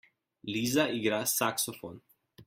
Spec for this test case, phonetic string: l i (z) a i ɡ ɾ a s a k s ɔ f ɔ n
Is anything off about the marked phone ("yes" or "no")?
no